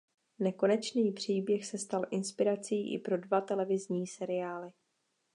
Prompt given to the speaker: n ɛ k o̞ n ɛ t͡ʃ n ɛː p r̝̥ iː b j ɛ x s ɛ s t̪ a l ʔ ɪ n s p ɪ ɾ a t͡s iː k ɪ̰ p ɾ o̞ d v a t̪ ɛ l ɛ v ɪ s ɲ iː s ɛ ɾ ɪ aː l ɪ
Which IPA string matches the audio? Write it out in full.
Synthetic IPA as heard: n ɛ k o̞ n ɛ t͡ʃ n iː p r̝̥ iː b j ɛ x s ɛ s t̪ a l ʔ ɪ n s p ɪ ɾ a t͡s iː ʔ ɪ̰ p ɾ o̞ d v a t̪ ɛ l ɛ v ɪ z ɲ iː s ɛ ɾ ɪ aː l ɪ